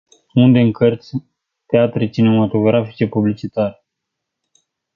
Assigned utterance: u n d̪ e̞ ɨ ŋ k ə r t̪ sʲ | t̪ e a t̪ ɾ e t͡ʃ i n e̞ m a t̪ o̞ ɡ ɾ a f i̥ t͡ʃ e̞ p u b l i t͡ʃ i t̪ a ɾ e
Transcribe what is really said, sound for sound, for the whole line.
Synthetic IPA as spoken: u n d̪ e̞ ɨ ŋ k ə r t̪ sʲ | t̪ e a t̪ ɾ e t͡ʃ i n e̞ m a t̪ o̞ ɡ ɾ a f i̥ t͡ʃ e̞ p u b l i t͡ʃ i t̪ a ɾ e